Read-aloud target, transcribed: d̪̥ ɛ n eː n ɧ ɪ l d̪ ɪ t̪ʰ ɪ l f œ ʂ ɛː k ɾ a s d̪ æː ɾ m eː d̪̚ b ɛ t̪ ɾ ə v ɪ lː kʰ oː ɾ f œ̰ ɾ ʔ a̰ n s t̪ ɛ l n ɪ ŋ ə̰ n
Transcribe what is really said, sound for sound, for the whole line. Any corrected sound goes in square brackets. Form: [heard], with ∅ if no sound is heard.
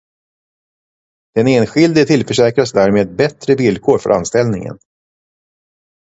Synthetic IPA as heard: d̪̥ ɛ n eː n ɧ ɪ l d̪ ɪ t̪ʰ ɪ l f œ ʂ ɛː k ɾ a s d̪ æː ɾ m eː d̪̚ b ɛ t̪ ɾ ə v ɪ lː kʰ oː ɾ f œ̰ ɾ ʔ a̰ n s t̪ ɛ l n ɪ ŋ ə̰ n